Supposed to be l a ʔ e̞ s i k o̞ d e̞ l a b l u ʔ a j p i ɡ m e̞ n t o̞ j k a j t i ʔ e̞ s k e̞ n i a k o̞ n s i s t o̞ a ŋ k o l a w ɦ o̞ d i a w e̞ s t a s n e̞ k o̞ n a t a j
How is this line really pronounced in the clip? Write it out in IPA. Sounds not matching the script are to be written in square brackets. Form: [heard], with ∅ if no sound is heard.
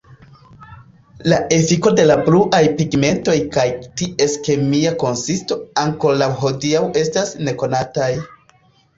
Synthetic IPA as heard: l a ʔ e̞ [f] i k o̞ d e̞ l a b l u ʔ a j p i ɡ m e̞ n t o̞ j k a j t i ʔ e̞ s k e̞ [m] i a k o̞ n s i s t o̞ a ŋ k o l a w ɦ o̞ d i a w e̞ s t a s n e̞ k o̞ n a t a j